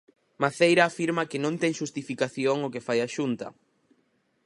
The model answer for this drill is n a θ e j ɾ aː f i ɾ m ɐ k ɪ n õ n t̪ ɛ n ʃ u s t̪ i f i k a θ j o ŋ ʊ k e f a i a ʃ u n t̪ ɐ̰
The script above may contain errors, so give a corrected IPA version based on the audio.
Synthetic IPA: m a θ e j ɾ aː f i ɾ m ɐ k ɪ n õ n t̪ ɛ ŋ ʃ u s t̪ i f i k a θ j o ŋ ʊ k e f a j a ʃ u n t̪ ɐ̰